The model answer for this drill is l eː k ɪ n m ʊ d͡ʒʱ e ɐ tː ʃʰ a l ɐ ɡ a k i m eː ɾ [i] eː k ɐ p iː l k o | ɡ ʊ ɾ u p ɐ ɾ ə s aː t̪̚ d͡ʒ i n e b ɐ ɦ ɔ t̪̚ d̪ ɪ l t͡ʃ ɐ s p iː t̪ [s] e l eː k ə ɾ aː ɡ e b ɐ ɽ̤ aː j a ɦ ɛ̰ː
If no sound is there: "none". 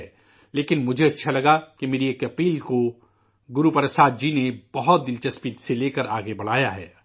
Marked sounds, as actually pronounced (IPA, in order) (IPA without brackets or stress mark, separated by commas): i, s